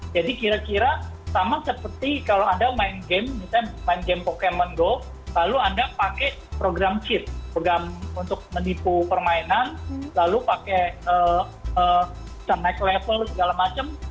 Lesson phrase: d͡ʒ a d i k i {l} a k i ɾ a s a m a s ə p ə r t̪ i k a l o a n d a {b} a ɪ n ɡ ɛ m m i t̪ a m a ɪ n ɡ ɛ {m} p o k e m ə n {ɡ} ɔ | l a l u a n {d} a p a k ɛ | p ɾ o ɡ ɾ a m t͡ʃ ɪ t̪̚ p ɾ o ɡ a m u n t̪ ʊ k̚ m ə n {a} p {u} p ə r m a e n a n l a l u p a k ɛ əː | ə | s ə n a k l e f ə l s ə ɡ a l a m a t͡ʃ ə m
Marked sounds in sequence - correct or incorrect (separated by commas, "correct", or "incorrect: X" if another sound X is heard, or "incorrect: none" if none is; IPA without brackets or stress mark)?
incorrect: ɾ, incorrect: m, correct, correct, correct, incorrect: i, correct